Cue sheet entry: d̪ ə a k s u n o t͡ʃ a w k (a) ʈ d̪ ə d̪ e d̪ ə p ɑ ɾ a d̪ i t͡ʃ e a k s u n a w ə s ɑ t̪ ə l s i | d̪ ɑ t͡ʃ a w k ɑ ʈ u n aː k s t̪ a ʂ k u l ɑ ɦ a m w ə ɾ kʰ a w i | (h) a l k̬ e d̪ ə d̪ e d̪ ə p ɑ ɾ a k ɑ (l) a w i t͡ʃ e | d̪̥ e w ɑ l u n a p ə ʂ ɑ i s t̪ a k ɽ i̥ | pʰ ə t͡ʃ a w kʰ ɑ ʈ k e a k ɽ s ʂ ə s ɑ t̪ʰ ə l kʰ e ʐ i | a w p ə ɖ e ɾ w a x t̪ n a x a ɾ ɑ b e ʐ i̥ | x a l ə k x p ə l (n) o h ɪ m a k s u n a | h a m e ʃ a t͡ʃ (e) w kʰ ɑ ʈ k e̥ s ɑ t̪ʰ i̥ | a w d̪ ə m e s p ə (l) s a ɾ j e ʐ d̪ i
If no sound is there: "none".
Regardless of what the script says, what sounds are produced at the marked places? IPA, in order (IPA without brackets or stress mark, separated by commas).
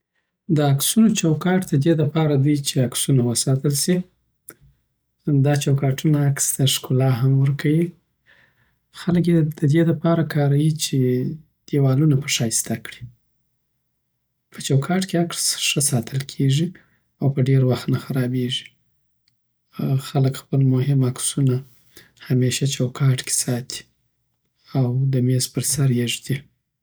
ɑ, x, ɾ, m, a, ɾ